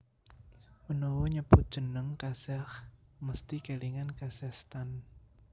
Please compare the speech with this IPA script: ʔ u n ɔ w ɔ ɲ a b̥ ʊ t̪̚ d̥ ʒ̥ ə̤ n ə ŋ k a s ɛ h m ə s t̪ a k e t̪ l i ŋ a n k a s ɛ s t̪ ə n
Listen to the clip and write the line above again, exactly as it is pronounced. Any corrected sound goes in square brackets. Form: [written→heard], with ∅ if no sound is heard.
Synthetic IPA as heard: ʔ u n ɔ w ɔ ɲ [a→ə] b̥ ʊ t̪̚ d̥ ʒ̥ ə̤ n ə ŋ k a s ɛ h m ə s t̪ [a→i] k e [t̪→∅] l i ŋ a n k a s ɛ s t̪ [ə→a] n